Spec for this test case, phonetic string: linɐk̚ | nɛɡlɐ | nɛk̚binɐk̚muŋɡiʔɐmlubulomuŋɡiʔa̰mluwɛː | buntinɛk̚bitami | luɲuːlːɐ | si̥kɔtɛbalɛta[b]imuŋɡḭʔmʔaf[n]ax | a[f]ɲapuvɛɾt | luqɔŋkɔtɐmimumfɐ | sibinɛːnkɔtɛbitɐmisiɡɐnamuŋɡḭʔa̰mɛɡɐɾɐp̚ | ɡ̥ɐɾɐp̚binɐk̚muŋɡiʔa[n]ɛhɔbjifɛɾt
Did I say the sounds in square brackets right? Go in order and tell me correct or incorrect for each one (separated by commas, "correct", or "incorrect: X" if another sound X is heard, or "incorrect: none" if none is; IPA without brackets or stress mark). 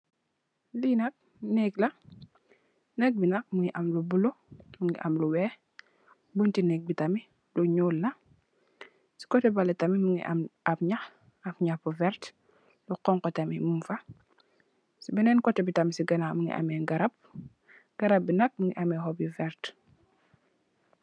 incorrect: m, incorrect: ɲ, correct, incorrect: m